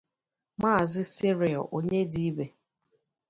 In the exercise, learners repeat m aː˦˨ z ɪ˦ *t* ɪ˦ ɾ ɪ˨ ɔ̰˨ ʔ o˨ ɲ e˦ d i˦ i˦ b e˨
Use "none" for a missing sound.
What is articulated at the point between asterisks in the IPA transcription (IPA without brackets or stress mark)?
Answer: s